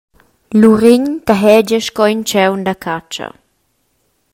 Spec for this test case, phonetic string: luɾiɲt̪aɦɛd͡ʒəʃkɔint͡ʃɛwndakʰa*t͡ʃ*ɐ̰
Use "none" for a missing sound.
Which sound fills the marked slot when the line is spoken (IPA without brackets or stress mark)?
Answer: t͡ʃ